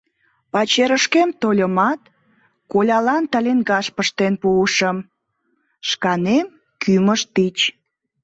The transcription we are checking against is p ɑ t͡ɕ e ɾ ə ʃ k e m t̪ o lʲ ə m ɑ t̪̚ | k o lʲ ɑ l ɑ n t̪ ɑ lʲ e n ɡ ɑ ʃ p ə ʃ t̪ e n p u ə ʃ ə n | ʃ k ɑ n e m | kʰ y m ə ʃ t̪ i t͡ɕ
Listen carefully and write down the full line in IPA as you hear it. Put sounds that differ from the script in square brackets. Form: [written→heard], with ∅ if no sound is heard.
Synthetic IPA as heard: p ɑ t͡ɕ e ɾ ə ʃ k e m t̪ o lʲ ə m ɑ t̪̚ | k o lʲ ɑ l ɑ n t̪ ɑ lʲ e n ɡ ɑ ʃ p ə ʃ t̪ e n p u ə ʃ ə [n→m] | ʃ k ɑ n e m | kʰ y m ə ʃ t̪ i t͡ɕ